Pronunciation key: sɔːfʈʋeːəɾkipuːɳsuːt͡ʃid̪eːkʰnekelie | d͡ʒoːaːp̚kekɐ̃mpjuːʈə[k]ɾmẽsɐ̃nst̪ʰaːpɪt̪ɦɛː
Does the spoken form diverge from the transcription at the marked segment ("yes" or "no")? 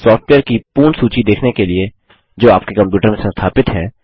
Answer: yes